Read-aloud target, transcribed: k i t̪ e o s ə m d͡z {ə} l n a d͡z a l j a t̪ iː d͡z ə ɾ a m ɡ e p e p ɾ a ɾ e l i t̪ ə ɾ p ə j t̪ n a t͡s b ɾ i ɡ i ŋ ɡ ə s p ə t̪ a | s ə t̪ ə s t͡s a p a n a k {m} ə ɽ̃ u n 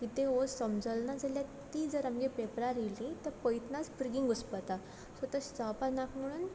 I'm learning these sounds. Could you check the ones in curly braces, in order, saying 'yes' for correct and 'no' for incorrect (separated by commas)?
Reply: yes, yes